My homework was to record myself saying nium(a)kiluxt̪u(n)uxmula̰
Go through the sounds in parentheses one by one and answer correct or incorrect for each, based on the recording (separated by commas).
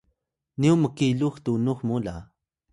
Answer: incorrect, correct